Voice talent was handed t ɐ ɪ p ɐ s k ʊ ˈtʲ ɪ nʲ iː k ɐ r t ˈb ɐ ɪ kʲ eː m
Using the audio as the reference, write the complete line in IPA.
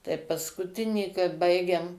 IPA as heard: t ɐ ɪ p ɐ s k ʊ ˈtʲ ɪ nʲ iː k ɐ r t ˈb ɐ ɪ ɡʲ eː m